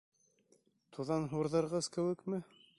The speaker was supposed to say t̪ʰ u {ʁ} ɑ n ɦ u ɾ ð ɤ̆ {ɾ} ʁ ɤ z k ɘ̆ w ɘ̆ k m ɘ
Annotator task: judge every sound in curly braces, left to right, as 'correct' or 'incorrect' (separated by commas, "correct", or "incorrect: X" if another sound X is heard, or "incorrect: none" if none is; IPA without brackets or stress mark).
incorrect: ð, correct